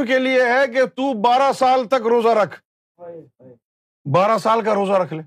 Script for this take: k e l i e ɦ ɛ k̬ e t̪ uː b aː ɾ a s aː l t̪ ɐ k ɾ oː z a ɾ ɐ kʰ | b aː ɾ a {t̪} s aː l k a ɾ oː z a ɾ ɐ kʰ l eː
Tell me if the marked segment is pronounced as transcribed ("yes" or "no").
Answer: no